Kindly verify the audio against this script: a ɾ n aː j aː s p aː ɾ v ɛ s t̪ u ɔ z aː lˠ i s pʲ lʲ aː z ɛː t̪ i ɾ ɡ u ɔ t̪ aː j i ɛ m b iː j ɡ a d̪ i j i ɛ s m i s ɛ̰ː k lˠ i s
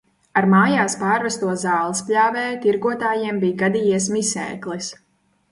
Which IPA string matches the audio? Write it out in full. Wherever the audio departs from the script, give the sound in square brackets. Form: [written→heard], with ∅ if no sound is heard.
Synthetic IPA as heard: a ɾ [n→m] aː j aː s p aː ɾ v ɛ s t̪ u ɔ z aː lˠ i s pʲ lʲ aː [z→v] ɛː t̪ i ɾ ɡ u ɔ t̪ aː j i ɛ m b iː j ɡ a d̪ i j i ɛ s m i s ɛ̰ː k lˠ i s